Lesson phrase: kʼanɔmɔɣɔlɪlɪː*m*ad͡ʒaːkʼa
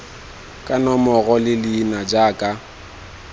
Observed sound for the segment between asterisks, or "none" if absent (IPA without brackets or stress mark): n